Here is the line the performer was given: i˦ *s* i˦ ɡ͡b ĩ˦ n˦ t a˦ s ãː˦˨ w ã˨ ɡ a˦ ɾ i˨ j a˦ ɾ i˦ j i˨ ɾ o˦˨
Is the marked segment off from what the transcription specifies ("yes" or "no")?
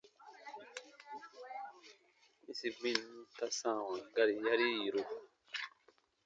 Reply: no